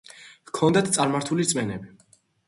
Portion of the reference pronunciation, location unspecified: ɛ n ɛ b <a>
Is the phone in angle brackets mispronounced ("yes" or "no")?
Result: yes